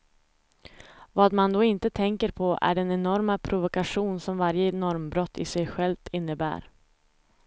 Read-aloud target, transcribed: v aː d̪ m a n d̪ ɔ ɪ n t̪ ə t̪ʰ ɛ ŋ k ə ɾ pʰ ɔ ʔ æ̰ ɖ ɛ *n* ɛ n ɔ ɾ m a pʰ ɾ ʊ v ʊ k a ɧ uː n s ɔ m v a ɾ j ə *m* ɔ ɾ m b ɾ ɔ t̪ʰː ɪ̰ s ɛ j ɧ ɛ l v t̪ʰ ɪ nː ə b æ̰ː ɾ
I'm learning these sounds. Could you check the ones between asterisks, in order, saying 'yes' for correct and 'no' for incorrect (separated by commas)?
yes, no